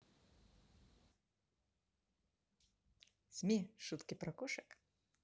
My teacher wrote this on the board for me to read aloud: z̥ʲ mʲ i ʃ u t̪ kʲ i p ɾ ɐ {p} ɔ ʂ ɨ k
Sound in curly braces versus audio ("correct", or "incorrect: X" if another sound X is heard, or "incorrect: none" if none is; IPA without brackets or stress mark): incorrect: k